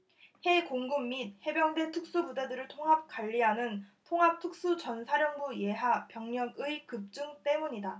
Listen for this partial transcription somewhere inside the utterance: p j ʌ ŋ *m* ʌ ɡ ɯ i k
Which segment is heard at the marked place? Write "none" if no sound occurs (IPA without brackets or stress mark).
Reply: ɲ